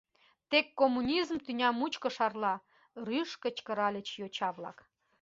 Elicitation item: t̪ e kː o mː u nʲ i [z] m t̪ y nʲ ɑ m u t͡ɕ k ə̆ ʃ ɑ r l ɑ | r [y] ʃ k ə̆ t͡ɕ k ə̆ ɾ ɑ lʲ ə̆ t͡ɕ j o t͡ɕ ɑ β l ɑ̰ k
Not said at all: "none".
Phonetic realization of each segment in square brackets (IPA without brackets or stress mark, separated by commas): z, y